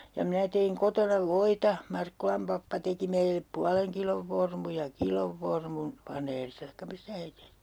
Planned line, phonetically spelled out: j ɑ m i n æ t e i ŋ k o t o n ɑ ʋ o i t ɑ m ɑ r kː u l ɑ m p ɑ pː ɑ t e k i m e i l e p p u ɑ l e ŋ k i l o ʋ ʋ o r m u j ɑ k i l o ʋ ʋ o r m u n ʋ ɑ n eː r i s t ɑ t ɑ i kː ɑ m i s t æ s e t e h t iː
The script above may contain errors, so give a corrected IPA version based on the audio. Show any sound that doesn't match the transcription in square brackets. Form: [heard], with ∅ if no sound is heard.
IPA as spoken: j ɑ m i n æ t e i ŋ k o t o n ɑ ʋ o i t ɑ m ɑ r kː u l ɑ m p ɑ pː ɑ t e k i m e i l e p p u ɑ l e ŋ k i l o ʋ ʋ o r m u j ɑ k i l o ʋ ʋ o r m u n ʋ ɑ n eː r i s t ɑ t ɑ i kː ɑ m i s t æ [h] e t e h t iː